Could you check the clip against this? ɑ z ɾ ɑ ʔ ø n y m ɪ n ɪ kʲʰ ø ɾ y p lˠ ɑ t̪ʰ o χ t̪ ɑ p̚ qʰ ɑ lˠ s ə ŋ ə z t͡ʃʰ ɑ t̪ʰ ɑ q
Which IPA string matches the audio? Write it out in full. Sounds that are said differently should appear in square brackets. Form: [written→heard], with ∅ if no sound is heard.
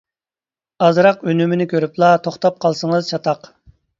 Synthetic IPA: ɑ z ɾ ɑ [ʔ→q] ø n y m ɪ n ɪ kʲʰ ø ɾ y p lˠ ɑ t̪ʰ o χ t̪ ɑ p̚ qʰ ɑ lˠ s ə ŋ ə z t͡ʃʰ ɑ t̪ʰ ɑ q